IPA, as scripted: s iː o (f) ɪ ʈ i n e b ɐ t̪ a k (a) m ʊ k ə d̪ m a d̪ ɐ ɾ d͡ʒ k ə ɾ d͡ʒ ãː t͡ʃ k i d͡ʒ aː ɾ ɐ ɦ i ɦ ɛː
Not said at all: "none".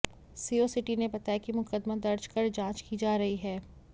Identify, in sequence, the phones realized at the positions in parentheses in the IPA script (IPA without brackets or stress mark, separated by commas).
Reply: s, i